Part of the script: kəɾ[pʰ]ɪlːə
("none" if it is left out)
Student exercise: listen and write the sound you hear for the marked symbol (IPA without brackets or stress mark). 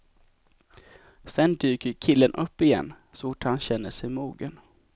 kʰ